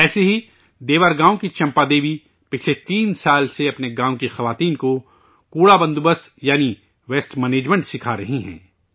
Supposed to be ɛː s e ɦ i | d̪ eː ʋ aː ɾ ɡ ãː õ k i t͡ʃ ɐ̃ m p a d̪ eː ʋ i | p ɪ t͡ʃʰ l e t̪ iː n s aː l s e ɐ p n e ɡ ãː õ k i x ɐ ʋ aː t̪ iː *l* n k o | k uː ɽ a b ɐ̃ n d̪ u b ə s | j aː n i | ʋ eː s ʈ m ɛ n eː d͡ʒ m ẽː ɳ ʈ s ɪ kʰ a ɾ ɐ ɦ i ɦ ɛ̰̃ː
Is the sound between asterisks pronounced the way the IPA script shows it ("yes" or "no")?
no